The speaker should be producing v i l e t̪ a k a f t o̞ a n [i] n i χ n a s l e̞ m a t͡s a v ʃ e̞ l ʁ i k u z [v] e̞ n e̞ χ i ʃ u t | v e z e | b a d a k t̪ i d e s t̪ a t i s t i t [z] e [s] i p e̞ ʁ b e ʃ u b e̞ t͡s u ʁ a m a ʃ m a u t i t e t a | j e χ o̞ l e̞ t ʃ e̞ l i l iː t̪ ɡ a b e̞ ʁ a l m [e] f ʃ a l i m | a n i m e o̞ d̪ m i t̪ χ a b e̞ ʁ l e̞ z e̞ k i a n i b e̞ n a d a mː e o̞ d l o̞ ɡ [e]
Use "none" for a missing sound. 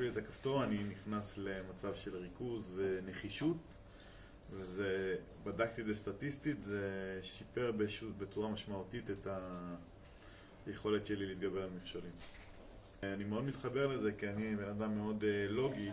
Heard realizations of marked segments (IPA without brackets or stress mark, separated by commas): i, v, z, ʃ, i, i